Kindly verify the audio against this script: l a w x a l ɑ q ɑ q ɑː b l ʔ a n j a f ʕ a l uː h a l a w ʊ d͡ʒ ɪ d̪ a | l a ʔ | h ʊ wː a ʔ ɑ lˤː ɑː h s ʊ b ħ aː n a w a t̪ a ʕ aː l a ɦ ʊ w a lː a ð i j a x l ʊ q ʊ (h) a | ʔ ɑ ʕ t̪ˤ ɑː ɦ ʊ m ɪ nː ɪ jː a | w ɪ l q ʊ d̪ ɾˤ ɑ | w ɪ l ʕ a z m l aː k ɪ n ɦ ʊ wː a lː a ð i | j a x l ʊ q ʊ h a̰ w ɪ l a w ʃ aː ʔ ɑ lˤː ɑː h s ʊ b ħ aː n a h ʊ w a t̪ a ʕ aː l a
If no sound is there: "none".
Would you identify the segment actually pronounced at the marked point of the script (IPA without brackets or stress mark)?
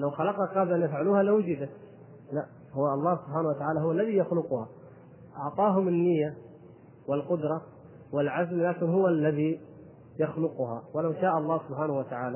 h